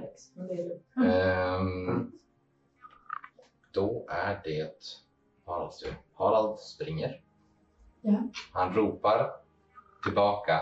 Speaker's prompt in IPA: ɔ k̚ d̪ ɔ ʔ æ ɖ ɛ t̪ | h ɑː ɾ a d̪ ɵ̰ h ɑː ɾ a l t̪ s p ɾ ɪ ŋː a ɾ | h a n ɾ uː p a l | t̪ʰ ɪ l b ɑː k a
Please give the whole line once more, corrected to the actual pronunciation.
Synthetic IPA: ɔ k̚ d̪ ɔ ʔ æ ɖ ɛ t̪ | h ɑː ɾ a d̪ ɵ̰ h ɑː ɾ a l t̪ s p ɾ ɪ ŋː ə ɾ | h a n ɾ uː p a ɾ | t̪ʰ ɪ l b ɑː k a